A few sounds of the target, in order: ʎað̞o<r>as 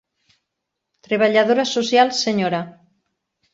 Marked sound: incorrect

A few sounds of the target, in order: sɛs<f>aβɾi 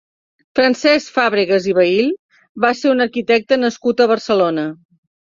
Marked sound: correct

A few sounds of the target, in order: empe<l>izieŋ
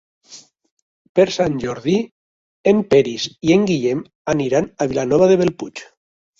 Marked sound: incorrect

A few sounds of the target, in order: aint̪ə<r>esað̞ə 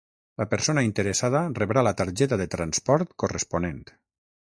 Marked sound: incorrect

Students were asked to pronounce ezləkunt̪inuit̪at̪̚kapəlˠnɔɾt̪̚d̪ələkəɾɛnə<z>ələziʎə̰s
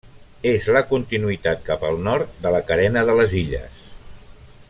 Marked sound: incorrect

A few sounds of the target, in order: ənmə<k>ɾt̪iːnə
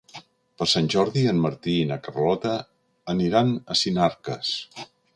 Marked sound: incorrect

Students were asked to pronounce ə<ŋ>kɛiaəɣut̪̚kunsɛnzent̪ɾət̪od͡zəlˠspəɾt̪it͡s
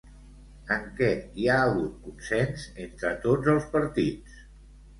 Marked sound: correct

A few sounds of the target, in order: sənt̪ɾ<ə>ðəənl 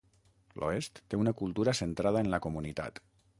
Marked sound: incorrect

